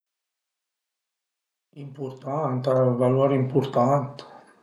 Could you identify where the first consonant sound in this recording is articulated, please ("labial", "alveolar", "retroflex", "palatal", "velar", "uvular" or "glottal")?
labial